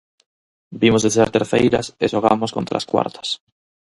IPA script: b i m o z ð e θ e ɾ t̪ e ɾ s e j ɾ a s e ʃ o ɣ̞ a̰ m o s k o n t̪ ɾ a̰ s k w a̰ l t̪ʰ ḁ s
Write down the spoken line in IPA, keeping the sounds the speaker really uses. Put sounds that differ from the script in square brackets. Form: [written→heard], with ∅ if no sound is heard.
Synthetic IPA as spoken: b i m o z ð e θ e ɾ t̪ e ɾ [s→θ] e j ɾ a s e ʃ o ɣ̞ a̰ m o s k o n t̪ ɾ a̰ s k w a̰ [l→ɾ] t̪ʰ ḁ s